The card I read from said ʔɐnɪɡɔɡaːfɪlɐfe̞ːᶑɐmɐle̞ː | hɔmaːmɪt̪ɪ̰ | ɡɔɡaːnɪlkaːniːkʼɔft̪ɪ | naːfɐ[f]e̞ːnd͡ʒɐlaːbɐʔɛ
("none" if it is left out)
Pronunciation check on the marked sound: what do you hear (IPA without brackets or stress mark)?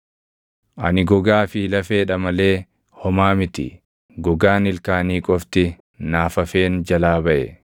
f